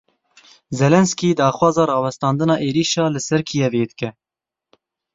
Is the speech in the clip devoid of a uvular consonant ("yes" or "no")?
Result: yes